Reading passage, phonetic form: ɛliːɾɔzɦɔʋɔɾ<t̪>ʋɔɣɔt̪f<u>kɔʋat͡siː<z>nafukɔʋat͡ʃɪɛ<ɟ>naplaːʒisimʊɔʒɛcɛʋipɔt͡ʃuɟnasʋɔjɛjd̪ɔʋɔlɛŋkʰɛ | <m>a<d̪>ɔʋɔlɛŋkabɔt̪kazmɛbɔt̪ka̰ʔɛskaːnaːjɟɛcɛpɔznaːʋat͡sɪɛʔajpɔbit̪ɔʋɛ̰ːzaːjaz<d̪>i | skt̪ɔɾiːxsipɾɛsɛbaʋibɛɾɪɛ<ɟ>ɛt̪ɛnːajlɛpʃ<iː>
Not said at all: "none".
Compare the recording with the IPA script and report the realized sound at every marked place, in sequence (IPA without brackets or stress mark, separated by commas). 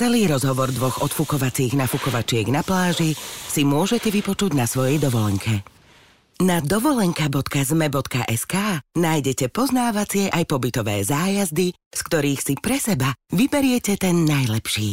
d̪, u, ɣ, ɡ, n, d̪, d̪, c, iː